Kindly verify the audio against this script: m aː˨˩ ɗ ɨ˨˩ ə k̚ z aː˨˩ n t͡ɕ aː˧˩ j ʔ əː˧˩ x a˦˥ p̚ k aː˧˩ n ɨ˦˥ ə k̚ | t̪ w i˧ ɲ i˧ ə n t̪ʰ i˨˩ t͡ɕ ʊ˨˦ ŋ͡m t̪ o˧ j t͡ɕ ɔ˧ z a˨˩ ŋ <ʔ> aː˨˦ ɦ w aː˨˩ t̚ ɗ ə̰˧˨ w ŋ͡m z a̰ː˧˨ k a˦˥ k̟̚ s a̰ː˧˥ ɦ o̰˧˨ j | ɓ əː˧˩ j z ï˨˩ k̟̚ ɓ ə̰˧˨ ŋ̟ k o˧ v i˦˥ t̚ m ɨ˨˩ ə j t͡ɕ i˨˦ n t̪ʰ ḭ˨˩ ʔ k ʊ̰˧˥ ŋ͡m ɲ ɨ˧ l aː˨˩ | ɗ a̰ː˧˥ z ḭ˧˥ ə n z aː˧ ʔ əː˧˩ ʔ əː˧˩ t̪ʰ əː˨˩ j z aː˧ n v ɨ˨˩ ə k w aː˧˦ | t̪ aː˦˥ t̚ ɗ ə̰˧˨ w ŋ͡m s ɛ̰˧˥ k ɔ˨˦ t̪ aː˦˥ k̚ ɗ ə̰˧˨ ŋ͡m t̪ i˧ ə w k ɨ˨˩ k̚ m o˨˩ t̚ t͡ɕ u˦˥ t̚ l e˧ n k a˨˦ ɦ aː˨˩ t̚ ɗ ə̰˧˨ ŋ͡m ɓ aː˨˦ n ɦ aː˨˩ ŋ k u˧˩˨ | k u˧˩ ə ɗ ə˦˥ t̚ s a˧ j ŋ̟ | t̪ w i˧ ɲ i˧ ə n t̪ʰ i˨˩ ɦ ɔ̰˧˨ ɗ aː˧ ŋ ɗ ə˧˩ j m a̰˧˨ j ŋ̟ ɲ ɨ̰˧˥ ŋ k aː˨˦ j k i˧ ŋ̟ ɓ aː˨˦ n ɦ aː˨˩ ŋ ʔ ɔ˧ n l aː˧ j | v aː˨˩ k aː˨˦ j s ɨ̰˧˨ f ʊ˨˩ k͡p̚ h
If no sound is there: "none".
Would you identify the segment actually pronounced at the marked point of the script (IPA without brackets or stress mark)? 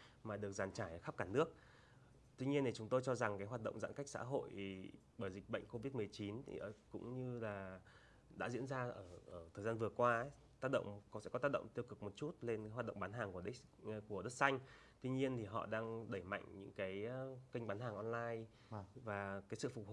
k